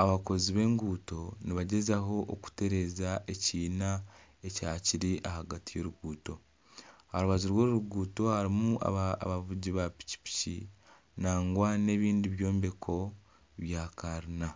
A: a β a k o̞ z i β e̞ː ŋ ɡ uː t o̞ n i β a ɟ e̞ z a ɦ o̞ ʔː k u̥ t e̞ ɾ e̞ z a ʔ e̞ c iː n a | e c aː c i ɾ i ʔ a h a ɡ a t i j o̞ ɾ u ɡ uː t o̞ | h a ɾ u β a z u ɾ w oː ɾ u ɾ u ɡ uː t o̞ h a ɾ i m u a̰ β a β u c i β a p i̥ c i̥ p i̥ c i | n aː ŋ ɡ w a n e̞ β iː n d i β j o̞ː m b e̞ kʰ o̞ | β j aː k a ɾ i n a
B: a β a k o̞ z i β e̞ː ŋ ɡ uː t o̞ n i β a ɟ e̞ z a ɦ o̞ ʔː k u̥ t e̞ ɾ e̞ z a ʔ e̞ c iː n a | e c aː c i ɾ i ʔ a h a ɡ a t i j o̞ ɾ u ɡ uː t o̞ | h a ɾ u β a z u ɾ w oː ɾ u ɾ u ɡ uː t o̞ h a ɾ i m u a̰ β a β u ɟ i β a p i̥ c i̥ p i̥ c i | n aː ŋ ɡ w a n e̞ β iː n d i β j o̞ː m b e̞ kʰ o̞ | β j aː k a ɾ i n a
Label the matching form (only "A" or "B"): B